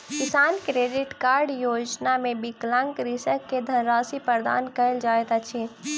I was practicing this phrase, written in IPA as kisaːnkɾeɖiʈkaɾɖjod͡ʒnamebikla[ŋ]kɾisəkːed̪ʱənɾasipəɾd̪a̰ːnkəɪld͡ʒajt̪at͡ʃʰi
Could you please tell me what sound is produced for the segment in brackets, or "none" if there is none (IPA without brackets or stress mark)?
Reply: ŋ